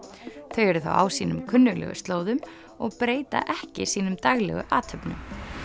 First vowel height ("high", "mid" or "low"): mid